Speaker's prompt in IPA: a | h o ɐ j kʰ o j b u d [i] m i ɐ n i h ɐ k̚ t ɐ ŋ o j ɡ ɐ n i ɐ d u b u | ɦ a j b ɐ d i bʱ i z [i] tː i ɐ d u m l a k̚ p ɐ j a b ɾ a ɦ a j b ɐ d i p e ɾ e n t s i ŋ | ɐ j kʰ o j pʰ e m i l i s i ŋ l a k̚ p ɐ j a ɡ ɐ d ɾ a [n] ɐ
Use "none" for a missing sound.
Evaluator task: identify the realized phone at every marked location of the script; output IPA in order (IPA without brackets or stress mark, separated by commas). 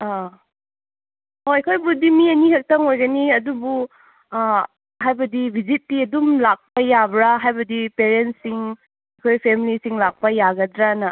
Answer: i, i, n